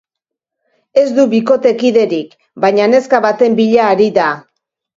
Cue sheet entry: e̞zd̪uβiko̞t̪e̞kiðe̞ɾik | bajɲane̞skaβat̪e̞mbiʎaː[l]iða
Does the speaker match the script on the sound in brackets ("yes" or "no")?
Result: no